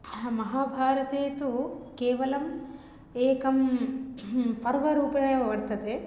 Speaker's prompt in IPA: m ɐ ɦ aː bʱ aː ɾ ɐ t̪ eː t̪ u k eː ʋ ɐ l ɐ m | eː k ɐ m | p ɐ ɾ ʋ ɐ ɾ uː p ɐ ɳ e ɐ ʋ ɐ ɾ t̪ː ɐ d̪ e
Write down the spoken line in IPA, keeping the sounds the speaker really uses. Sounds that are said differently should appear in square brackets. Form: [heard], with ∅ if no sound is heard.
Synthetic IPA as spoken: m ɐ ɦ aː bʱ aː ɾ ɐ t̪ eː t̪ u k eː ʋ ɐ l ɐ m | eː k ɐ m | p ɐ ɾ ʋ ɐ ɾ uː p ɐ ɳ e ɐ ʋ ɐ ɾ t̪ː ɐ [t̪] e

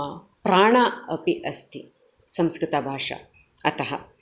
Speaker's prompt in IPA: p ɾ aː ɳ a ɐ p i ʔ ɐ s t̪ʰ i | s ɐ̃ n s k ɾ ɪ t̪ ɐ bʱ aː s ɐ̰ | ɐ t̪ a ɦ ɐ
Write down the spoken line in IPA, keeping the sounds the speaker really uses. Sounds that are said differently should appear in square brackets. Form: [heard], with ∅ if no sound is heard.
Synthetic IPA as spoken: p ɾ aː ɳ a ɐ p i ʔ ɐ s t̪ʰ i | s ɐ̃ [m] s k ɾ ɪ t̪ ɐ bʱ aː [ʂ] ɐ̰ | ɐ t̪ [ɐ] ɦ ɐ

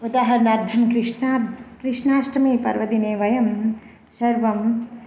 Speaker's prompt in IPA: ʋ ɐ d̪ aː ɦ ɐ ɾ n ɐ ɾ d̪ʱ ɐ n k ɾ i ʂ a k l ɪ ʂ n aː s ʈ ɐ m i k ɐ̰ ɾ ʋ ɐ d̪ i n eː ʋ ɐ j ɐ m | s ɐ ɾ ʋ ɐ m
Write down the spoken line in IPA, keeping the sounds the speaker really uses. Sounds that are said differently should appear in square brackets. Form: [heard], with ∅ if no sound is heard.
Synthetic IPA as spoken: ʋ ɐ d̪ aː ɦ ɐ ɾ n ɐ ɾ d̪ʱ ɐ n k ɾ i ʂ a k [ɾ] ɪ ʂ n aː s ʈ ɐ m i [p] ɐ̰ ɾ ʋ ɐ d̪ i n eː ʋ ɐ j ɐ m | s ɐ ɾ ʋ ɐ m

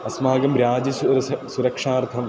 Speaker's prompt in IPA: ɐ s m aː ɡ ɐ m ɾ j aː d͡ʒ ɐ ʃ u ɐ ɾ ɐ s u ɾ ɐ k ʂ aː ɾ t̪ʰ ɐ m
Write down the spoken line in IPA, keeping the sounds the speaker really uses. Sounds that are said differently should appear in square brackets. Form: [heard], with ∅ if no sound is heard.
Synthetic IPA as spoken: ɐ s m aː ɡ ɐ m ɾ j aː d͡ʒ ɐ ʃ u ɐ ɾ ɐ s u ɾ ɐ k ʂ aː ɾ t̪ʰ ɐ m

